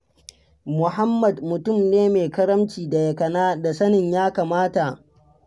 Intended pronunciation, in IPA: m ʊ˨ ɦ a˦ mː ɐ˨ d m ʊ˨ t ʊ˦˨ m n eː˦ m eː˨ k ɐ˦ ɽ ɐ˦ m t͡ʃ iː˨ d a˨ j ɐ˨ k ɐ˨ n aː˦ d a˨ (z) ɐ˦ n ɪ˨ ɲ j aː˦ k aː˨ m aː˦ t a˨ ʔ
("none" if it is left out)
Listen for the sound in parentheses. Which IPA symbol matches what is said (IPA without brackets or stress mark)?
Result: s